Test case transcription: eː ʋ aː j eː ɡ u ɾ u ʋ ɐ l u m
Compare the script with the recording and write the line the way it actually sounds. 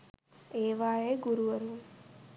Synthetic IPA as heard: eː ʋ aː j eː ɡ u ɾ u ʋ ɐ ɾ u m